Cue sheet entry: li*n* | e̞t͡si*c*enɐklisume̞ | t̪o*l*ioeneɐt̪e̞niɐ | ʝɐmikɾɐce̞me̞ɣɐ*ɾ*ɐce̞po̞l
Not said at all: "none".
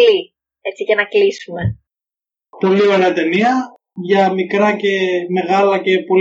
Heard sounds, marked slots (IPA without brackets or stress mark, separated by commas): none, c, l, l